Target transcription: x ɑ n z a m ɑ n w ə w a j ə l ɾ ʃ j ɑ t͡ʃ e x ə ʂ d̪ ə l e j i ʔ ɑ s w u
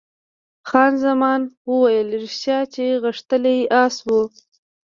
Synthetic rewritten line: x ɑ n z a m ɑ n w ə w a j ə l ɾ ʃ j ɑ t͡ʃ e ɣ ə ʂ t̪ ə l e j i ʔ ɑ s w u

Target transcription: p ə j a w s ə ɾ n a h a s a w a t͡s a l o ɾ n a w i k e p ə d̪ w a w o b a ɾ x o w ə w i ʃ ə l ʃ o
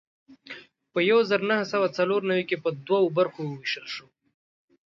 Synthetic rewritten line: p ə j a w z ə ɾ n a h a s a w a t͡s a l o ɾ n a w i k e p ə d̪ w a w o b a ɾ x o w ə w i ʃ ə l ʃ o

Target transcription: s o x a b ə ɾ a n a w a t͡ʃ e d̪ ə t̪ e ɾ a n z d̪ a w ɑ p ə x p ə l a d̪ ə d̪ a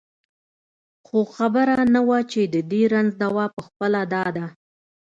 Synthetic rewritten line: x o x a b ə ɾ a n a w a t͡ʃ e d̪ ə d̪ e ɾ a n z d̪ a w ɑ p ə x p ə l a d̪ ɑ d̪ a

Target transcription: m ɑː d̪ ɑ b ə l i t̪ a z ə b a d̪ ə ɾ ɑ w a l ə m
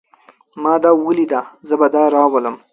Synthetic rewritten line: m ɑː d̪ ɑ w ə l i d̪ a z ə b a d̪ ɑ ɾ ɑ w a l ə m

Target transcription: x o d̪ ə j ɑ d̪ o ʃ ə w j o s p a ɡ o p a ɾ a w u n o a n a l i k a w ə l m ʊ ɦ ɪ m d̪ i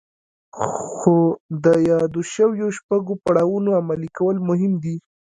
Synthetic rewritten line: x o d̪ ə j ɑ d̪ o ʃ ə w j o ʃ p a ɡ o p a ɽ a w u n o a m a l i k a w ə l m ʊ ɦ ɪ m d̪ i

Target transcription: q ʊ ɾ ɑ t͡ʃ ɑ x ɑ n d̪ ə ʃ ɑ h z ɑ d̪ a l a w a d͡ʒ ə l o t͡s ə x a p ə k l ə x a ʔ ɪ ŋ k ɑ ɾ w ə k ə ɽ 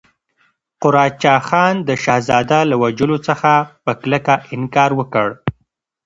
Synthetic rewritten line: q ʊ ɾ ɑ t͡ʃ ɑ x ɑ n d̪ ə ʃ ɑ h z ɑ d̪ a l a w a d͡ʒ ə l o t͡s ə x a p ə k l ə k a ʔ ɪ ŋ k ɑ ɾ w ə k ə ɽ

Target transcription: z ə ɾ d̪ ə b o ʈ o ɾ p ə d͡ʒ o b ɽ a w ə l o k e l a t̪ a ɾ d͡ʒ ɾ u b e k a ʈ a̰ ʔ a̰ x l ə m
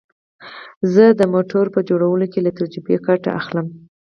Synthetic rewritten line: z ə d̪ ə m o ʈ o ɾ p ə d͡ʒ o ɽ a w ə l o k e l a t̪ a ɾ d͡ʒ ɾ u b e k a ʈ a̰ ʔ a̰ x l ə m

